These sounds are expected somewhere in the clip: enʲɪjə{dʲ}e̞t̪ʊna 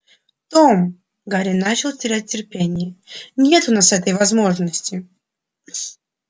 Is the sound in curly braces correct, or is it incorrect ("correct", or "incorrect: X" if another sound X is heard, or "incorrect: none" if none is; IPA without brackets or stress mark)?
incorrect: nʲ